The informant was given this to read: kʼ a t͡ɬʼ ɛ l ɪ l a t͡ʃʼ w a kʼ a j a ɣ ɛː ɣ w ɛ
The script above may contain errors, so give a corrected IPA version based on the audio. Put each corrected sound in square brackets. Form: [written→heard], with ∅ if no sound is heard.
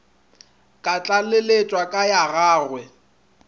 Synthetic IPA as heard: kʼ a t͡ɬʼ [ɛ→a] l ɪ l [a→e] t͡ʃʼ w a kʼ a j a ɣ [ɛː→aː] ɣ w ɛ